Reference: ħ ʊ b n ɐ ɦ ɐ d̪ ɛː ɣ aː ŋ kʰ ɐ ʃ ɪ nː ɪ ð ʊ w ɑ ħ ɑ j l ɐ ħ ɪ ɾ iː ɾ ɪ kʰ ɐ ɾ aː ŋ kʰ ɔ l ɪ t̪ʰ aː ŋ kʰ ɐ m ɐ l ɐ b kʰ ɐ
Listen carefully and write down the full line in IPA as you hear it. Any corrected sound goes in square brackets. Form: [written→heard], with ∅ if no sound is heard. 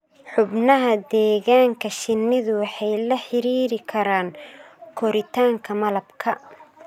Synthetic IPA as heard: ħ ʊ b n ɐ ɦ ɐ d̪ ɛː ɣ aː ŋ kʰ ɐ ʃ ɪ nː ɪ ð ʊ w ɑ ħ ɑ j l ɐ ħ ɪ ɾ iː ɾ ɪ kʰ ɐ ɾ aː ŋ kʰ ɔ [l→ɾ] ɪ t̪ʰ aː ŋ kʰ ɐ m ɐ l ɐ b kʰ ɐ